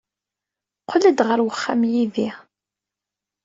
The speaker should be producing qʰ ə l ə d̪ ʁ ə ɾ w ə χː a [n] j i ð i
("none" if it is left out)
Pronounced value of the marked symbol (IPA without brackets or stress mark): m